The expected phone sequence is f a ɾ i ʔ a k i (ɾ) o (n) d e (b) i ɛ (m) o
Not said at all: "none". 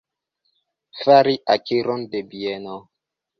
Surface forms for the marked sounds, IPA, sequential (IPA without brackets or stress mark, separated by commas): ɾ, n, b, n